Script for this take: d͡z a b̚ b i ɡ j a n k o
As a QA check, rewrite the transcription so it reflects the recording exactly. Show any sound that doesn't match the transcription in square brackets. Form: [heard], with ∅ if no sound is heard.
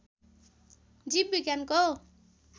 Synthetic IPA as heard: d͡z [i] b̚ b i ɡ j a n k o